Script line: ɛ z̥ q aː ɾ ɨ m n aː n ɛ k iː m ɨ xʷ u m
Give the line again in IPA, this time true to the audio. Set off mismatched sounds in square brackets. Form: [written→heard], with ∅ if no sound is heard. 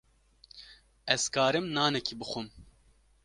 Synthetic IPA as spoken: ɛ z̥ [q→k] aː ɾ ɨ m n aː n ɛ k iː [m→b] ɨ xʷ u m